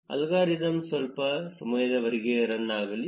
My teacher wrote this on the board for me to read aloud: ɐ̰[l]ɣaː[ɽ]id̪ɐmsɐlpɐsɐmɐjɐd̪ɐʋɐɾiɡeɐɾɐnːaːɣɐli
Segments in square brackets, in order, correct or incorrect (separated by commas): correct, incorrect